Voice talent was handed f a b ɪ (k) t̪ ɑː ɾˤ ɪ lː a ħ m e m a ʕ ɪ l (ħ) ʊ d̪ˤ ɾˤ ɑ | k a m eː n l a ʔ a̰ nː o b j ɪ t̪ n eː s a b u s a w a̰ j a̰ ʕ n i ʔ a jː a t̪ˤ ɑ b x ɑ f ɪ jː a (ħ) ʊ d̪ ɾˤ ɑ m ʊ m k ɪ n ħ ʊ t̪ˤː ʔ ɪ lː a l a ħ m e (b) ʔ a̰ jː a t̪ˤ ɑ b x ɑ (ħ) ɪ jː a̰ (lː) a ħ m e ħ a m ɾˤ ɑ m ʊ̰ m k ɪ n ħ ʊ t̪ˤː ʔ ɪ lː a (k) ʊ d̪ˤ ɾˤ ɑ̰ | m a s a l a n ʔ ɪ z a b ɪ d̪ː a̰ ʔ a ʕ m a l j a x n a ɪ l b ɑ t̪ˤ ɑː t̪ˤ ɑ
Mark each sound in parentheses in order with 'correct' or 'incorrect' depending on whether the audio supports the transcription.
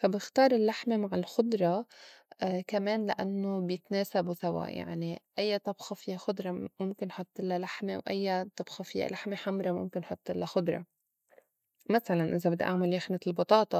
incorrect: x, incorrect: x, incorrect: x, incorrect: w, incorrect: f, incorrect: l, incorrect: x

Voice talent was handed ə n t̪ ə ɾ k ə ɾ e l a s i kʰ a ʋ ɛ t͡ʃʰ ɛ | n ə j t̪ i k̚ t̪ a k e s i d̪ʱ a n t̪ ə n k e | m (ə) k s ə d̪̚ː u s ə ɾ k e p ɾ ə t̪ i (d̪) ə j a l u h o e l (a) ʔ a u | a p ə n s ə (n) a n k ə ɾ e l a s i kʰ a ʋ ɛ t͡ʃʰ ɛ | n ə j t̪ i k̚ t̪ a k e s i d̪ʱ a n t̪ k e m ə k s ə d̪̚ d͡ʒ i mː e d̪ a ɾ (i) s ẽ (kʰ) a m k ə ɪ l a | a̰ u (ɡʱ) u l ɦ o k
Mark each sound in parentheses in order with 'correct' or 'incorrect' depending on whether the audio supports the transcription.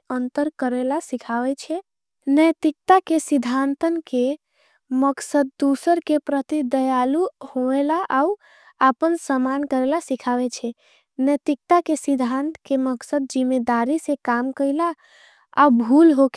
correct, correct, correct, incorrect: m, correct, incorrect: k, incorrect: bʱ

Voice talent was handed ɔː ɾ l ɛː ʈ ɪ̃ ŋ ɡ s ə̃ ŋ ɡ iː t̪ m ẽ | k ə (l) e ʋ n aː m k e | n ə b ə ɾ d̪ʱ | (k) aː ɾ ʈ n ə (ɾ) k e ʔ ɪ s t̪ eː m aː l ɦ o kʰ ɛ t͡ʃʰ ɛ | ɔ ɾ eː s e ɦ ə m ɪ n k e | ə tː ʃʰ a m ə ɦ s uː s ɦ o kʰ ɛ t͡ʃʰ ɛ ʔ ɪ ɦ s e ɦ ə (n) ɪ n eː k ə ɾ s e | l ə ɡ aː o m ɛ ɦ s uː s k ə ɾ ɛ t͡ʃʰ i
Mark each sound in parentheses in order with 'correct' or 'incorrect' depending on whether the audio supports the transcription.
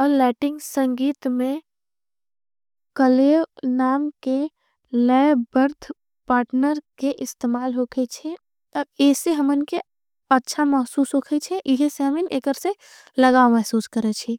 correct, incorrect: p, correct, incorrect: m

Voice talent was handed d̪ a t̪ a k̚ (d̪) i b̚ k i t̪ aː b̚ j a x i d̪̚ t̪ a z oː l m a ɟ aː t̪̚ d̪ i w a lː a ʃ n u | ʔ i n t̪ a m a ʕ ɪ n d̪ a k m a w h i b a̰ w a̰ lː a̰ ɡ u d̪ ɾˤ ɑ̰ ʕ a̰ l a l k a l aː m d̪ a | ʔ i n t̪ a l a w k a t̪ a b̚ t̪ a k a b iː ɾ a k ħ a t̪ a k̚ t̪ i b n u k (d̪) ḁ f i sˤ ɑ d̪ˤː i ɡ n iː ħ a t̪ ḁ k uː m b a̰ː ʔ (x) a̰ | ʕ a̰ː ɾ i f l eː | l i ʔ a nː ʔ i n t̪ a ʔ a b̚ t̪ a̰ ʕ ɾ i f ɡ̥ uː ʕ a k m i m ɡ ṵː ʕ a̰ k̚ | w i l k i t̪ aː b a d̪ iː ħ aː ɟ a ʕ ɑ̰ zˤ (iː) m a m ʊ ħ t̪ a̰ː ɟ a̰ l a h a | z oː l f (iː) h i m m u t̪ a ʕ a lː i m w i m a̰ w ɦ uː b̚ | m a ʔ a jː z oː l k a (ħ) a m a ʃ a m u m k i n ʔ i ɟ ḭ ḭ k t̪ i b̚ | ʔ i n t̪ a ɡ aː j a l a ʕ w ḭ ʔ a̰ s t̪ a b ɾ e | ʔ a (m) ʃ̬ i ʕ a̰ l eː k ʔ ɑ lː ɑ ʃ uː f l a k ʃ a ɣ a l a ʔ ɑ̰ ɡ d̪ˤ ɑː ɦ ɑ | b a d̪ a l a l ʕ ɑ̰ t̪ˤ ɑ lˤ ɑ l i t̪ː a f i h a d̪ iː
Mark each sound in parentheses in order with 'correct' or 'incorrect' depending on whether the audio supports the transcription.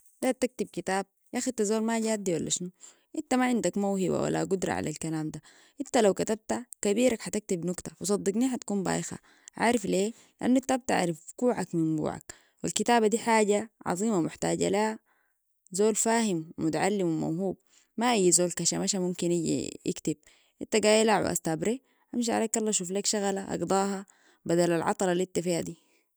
incorrect: t̪, incorrect: t̪, correct, correct, incorrect: aː, incorrect: ʃ, correct

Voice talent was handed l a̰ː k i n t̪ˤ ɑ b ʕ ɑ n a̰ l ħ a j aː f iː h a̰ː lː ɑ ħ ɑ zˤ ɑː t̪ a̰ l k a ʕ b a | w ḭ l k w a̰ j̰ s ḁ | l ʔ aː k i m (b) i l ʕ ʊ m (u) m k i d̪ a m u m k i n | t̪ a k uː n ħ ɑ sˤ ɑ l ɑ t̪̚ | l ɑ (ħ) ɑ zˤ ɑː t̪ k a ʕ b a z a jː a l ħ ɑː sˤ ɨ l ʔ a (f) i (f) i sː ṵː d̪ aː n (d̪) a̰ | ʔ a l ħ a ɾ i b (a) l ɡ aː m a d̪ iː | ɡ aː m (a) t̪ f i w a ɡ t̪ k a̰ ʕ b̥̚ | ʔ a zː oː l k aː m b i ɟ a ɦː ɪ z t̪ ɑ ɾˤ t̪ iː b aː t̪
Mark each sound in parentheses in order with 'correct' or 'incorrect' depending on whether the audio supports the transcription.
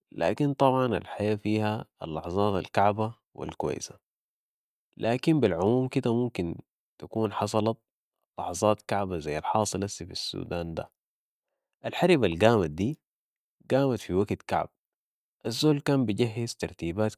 correct, incorrect: uː, correct, incorrect: s, correct, correct, correct, correct

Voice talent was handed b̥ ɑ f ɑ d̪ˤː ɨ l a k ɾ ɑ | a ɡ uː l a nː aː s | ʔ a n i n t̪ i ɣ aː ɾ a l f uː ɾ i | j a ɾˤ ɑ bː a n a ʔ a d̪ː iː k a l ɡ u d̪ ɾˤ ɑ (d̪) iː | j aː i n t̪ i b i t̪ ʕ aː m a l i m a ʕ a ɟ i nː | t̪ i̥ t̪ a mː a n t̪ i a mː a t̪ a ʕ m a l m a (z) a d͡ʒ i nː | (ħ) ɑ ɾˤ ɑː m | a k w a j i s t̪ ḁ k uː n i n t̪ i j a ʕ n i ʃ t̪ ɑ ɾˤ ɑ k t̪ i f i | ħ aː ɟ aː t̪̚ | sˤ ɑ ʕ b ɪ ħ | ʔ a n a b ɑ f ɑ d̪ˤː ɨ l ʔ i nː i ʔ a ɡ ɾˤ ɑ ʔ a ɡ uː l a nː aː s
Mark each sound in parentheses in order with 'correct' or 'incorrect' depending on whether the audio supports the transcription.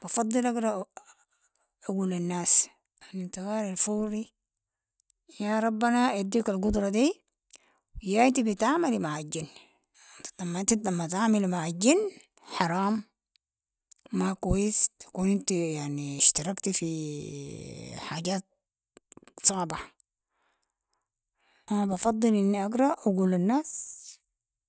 correct, incorrect: ʕ, correct

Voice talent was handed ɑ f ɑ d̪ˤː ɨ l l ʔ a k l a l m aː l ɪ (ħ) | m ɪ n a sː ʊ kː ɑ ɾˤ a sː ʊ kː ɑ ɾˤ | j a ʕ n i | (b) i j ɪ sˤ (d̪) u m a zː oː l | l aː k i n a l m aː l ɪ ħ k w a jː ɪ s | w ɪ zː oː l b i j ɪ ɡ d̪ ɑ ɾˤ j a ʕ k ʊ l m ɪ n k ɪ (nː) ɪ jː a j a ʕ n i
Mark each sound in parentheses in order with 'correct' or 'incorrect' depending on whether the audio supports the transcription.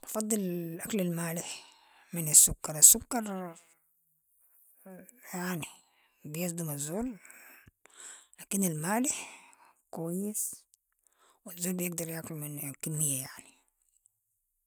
correct, correct, correct, incorrect: mː

